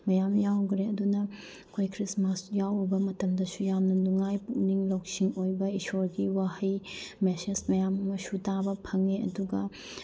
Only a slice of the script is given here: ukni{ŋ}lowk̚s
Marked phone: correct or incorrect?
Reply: correct